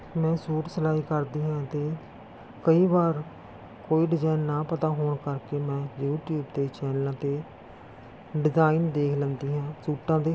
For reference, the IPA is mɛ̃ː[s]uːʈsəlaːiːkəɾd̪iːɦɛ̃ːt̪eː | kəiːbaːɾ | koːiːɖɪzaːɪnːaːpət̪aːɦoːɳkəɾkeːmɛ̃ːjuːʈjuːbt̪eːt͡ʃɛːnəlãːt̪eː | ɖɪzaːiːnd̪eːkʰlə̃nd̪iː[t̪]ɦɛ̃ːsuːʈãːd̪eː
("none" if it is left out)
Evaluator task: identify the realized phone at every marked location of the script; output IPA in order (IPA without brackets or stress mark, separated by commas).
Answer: s, none